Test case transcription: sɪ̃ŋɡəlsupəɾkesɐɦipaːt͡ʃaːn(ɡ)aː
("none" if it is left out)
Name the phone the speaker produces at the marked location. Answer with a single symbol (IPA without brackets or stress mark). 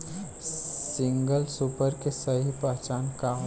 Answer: k